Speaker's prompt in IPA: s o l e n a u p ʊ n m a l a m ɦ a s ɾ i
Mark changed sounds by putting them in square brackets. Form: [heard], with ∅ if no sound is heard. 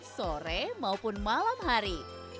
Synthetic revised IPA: s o [ɾ] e [m] a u p ʊ n m a l a m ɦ a [∅] ɾ i